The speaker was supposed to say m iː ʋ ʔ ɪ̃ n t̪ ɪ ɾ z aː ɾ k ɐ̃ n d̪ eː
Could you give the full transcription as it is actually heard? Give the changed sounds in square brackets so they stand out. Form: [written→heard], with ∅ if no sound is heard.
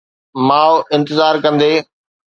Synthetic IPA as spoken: m [iː→aː] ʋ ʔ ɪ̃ n t̪ ɪ [ɾ→∅] z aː ɾ k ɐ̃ n d̪ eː